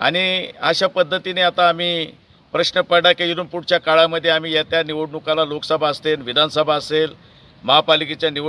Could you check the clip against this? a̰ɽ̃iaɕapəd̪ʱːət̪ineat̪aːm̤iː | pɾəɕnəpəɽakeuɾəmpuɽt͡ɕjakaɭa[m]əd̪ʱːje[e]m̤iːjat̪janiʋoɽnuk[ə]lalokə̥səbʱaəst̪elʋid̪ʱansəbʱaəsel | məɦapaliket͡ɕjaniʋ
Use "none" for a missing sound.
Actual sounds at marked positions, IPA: m, a, a

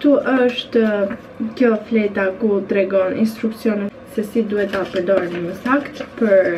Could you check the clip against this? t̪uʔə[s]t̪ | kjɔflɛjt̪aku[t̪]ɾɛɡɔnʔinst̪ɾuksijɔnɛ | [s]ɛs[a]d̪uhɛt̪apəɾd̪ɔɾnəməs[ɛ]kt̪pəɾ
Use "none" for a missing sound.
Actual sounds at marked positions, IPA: ʃ, t̪, s, i, a

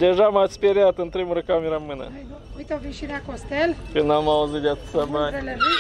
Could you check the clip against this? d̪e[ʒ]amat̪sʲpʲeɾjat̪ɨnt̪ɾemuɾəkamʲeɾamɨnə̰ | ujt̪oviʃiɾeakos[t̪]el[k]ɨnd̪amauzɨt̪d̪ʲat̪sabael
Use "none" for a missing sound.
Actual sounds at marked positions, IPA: ʒ, t̪, k

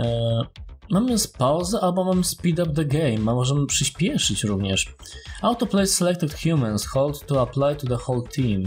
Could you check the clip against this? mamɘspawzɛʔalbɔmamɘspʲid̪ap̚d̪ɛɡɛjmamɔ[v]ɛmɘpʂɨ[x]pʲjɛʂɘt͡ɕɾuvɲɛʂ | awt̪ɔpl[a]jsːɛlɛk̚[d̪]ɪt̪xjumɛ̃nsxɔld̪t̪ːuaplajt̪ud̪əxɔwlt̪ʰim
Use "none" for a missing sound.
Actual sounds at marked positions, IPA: ʐ, ɕ, ɛ, t̪

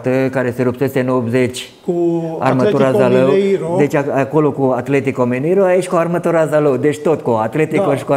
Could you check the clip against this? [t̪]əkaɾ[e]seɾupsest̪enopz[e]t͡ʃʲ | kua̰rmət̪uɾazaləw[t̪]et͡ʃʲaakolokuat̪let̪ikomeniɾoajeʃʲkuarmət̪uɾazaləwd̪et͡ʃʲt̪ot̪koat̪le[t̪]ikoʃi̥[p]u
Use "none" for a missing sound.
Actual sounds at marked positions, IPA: t̪, e, e, d̪, t̪, k

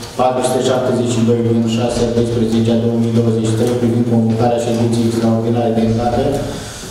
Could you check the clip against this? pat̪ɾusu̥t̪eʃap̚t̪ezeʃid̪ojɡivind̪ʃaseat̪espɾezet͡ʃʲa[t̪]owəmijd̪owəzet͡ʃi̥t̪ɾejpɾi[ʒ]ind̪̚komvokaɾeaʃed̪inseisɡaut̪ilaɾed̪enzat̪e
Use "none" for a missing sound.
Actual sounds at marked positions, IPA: d̪, v

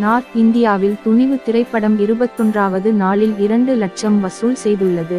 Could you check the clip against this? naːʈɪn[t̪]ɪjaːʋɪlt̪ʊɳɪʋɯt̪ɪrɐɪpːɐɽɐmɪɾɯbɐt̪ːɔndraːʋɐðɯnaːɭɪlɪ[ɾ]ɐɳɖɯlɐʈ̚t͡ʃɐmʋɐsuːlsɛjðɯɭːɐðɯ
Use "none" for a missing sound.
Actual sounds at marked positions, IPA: d̪, ɾ

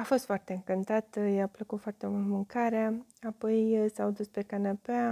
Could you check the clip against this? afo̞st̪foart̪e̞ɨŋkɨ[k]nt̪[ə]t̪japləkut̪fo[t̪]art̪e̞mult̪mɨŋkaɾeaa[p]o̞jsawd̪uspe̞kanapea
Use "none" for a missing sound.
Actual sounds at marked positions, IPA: none, a, none, p

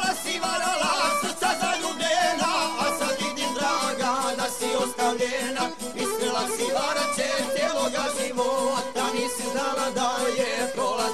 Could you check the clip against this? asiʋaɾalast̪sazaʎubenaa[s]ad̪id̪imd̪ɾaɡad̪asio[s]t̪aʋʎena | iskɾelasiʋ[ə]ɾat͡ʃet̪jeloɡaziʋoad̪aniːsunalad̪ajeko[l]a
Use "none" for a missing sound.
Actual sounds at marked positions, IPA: s, s, a, l

